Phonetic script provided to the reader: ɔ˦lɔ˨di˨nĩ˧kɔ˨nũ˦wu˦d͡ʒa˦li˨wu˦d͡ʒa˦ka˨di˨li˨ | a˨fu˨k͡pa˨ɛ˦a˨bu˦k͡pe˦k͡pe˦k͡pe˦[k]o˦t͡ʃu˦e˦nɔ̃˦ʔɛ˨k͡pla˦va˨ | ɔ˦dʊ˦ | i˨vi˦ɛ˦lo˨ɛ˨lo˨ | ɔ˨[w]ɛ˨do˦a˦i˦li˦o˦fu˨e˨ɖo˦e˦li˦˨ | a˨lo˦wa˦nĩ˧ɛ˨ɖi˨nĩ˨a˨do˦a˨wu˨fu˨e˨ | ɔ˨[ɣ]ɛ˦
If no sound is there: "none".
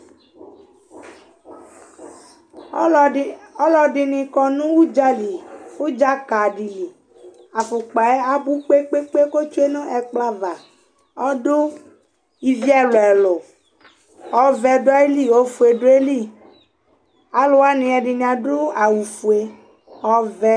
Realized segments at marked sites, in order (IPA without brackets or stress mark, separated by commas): k, v, v